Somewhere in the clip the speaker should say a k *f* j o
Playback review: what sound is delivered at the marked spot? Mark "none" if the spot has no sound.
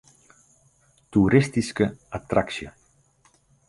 s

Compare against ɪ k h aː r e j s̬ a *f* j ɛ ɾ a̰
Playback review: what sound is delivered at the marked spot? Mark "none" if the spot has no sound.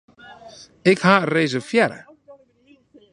f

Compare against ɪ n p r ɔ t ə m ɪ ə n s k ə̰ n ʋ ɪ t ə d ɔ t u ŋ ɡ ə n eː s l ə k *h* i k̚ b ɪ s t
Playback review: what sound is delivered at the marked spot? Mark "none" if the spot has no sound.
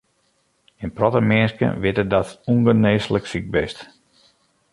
s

